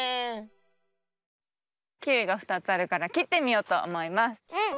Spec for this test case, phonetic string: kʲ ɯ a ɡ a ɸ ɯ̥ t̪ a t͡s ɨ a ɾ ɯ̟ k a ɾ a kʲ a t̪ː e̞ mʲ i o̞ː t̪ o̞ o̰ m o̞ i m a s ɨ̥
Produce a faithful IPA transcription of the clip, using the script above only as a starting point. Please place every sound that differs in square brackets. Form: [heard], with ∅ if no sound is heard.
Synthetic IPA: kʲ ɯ [i] ɡ a ɸ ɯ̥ t̪ a t͡s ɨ a ɾ ɯ̟ k a ɾ a kʲ [i] t̪ː e̞ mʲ i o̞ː t̪ o̞ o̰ m o̞ i m a s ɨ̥